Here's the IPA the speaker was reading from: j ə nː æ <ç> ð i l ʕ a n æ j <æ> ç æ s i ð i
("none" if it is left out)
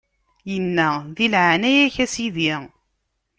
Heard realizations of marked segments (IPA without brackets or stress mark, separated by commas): none, æ